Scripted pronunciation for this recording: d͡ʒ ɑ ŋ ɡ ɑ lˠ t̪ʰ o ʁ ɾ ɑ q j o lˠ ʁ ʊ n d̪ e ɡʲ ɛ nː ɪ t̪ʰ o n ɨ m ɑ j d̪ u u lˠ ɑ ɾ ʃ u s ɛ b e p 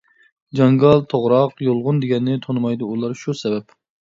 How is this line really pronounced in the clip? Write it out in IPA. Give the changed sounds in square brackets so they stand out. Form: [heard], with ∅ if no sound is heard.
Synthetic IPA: d͡ʒ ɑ ŋ ɡ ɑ lˠ t̪ʰ o ʁ ɾ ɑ q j o lˠ ʁ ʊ n d̪ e ɡʲ ɛ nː ɪ t̪ʰ o n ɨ m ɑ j d̪ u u lˠ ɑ ɾ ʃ u s ɛ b [ɛ] p